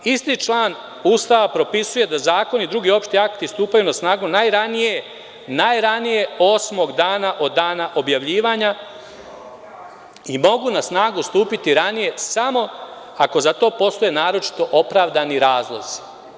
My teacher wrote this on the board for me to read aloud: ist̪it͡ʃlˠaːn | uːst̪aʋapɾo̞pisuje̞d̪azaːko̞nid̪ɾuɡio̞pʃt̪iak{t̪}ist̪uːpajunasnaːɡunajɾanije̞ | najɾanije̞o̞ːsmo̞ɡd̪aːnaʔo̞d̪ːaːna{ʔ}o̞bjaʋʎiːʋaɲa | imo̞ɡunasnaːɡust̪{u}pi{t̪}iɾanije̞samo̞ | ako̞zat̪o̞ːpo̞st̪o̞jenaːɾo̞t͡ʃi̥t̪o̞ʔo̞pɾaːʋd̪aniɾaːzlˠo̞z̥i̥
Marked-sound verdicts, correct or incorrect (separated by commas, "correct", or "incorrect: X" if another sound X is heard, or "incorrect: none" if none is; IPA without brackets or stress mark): correct, correct, incorrect: uː, correct